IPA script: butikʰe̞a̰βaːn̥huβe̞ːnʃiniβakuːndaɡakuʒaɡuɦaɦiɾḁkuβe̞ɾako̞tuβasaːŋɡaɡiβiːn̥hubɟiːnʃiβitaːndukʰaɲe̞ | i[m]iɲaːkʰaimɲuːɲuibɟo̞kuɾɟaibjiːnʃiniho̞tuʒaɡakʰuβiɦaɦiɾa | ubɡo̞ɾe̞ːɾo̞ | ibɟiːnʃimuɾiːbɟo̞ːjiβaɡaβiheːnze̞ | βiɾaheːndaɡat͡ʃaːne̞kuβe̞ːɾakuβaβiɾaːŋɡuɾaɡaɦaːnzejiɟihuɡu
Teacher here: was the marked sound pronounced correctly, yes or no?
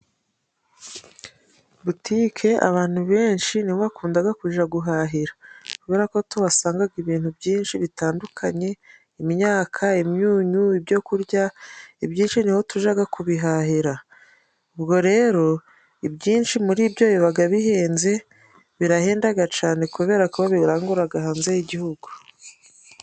yes